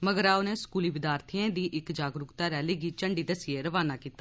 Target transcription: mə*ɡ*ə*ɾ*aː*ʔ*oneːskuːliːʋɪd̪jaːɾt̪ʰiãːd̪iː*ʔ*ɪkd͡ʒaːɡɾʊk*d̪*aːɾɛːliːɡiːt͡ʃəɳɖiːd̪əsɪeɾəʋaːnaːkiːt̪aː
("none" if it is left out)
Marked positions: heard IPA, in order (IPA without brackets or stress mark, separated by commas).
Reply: ɡ, ɾ, none, ʔ, t̪